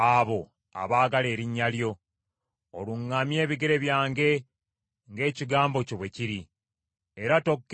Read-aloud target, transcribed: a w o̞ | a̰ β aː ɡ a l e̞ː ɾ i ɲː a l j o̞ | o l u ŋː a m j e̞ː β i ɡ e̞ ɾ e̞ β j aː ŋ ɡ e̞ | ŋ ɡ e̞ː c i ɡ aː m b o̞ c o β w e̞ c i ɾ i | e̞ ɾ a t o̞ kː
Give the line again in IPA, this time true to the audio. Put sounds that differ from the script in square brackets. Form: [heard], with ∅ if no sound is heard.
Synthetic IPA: a [β] o̞ | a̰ β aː ɡ a l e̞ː ɾ i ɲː a l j o̞ | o l u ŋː a m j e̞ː β i ɡ e̞ ɾ e̞ β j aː ŋ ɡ e̞ | ŋ ɡ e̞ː c i ɡ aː m b o̞ c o β w e̞ c i ɾ i | e̞ ɾ a t o̞ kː